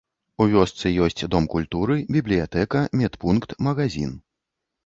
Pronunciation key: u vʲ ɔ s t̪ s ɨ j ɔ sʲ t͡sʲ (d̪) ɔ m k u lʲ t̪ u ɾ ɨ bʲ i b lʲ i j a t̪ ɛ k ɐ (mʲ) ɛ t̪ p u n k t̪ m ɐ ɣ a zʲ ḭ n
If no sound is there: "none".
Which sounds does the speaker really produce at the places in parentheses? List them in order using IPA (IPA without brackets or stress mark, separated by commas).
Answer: d̪, mʲ